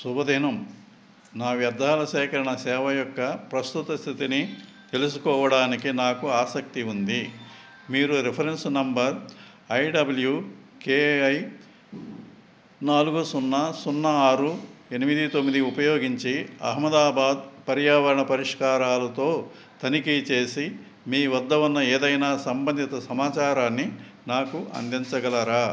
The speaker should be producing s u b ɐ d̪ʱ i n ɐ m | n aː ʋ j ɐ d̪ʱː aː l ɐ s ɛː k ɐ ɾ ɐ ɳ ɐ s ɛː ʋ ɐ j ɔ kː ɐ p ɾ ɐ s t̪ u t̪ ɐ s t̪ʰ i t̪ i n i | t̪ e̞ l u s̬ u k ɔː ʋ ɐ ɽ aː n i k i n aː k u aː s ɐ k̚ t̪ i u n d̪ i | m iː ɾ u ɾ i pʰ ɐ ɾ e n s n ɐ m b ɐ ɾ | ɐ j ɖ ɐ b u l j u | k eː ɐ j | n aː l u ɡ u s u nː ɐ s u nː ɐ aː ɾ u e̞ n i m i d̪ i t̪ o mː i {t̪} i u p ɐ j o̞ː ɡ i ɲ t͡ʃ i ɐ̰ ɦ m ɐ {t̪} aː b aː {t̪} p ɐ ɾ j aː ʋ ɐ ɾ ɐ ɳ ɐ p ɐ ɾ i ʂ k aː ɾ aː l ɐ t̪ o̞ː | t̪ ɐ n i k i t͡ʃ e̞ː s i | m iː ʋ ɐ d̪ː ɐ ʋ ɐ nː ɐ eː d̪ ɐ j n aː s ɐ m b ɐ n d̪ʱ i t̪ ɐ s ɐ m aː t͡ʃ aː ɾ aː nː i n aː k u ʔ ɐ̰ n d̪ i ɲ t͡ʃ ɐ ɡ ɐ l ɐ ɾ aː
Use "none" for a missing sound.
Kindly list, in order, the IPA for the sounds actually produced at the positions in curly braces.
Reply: d̪, d̪, d̪

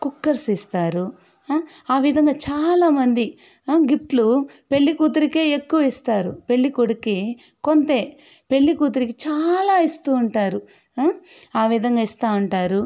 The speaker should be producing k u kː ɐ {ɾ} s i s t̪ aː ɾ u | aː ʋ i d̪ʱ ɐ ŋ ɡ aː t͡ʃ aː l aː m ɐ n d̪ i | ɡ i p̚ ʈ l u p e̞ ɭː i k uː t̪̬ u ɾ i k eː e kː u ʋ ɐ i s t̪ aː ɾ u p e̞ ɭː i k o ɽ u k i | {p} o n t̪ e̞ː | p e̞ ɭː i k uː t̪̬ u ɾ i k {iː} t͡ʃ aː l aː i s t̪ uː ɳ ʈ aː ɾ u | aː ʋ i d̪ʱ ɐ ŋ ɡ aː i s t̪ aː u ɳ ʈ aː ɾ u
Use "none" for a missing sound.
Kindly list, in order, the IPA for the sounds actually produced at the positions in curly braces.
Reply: ɾ, k, i

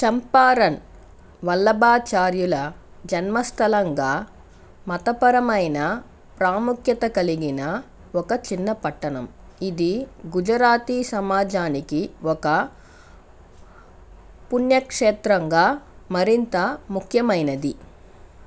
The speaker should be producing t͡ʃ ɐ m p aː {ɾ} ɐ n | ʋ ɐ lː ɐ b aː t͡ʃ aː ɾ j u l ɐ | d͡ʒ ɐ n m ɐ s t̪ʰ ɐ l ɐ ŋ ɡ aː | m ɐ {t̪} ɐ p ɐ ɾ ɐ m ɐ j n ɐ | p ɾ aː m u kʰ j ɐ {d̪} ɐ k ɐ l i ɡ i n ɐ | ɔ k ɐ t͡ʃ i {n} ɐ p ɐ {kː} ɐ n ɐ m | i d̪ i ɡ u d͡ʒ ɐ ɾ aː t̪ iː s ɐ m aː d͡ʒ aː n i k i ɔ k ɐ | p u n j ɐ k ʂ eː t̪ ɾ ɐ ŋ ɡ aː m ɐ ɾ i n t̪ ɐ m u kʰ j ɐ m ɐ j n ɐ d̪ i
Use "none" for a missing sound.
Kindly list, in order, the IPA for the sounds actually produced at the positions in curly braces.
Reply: ɾ, t̪, t̪, nː, ʈː

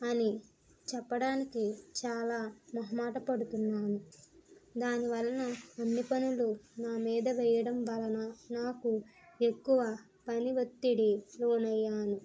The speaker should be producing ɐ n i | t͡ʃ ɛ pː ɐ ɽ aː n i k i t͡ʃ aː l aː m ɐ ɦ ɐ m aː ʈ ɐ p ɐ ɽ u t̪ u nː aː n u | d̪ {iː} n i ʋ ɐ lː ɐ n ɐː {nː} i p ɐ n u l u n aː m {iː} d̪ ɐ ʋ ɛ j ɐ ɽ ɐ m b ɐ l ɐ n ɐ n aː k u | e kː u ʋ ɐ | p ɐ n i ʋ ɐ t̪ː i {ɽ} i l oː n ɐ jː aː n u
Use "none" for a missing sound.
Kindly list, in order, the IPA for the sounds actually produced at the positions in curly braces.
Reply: aː, nː, iː, ɽ

